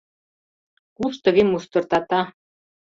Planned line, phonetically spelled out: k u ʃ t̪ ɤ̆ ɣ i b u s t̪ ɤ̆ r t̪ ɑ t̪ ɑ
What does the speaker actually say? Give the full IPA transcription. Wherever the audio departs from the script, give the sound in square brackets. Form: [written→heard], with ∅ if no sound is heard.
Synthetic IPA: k u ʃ t̪ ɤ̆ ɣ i [b→m] u s t̪ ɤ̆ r t̪ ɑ t̪ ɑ